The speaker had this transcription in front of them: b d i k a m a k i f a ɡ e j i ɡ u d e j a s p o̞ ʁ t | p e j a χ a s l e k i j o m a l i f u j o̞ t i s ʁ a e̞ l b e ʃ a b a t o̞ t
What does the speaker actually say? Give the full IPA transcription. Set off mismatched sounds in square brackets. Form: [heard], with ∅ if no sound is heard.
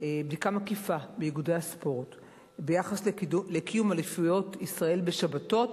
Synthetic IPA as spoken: b d i k a m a k i f a [b] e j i ɡ u d e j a s p o̞ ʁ t | [b] e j a χ a s l e k i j [u] m a l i f u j o̞ t i s ʁ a e̞ l b e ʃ a b a t o̞ t